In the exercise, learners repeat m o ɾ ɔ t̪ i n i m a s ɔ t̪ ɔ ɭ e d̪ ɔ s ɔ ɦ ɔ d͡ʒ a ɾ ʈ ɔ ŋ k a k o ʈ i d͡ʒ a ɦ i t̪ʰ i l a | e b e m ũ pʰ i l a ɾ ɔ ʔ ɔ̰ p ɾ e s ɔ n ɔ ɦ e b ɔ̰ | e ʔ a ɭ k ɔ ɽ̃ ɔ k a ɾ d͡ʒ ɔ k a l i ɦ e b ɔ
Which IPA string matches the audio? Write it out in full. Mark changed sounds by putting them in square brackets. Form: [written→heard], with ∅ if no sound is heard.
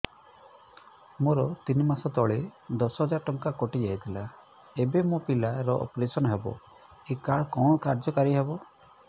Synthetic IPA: m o ɾ ɔ t̪ i n i m a s ɔ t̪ ɔ ɭ e d̪ ɔ s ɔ ɦ ɔ d͡ʒ a ɾ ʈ ɔ ŋ k a k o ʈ i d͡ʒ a ɦ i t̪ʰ i l a | e b e m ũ [pʰ→p] i l a ɾ ɔ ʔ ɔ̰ p ɾ e s ɔ n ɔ ɦ e b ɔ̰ | e [ʔ→k] a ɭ k ɔ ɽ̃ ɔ k a ɾ d͡ʒ ɔ k a [l→ɾ] i ɦ e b ɔ